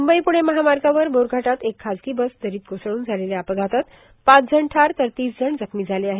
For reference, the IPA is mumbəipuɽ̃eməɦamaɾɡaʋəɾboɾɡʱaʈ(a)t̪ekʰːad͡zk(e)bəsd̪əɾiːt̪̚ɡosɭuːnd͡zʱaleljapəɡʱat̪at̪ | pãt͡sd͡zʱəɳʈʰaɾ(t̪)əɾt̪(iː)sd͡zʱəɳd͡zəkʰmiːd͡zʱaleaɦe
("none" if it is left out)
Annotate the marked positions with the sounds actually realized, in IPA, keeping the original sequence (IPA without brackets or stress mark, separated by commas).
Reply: a, i, t̪, iː